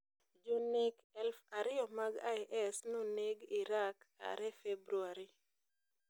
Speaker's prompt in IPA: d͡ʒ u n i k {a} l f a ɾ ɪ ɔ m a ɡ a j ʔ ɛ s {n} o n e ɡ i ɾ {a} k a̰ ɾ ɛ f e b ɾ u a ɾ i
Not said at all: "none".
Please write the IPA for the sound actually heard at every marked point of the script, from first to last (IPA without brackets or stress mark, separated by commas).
ɛ, n, a